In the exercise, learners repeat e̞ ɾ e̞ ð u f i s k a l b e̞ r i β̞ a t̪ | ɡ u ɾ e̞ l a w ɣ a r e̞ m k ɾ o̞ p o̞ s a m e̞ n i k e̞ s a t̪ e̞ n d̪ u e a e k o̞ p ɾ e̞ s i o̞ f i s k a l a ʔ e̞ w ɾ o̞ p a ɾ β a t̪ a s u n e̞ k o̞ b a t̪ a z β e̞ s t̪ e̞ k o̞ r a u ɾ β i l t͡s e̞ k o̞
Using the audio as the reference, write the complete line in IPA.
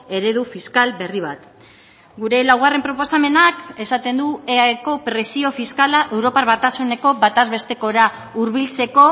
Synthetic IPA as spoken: e̞ ɾ e̞ ð u f i s k a l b e̞ r i β̞ a t̪ | ɡ u ɾ e̞ l a w ɣ a r e̞ m p ɾ o̞ p o̞ s a m e̞ n a k e̞ s a t̪ e̞ n d̪ u e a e k o̞ p ɾ e̞ s i o̞ f i s k a l a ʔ e̞ w ɾ o̞ p a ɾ β a t̪ a s u n e̞ k o̞ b a t̪ a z β e̞ s t̪ e̞ k o̞ ɾ a u ɾ β i l t͡s e̞ k o̞